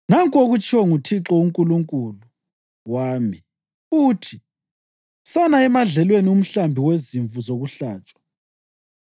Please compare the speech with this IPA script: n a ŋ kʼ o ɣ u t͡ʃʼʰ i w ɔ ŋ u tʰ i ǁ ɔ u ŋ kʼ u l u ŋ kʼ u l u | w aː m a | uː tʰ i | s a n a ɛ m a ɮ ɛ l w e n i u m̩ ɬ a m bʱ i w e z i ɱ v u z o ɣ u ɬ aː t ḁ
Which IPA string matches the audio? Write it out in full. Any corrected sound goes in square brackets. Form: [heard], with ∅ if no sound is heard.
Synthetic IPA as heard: n a ŋ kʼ o ɣ u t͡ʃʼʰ i w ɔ ŋ u tʰ i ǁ ɔ u ŋ kʼ u l u ŋ kʼ u l u | w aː m [i] | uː tʰ i | s a n a ɛ m a ɮ ɛ l w e n i u m̩ ɬ a m bʱ i w e z i ɱ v u z o ɣ u ɬ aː [t͡ʃʼ] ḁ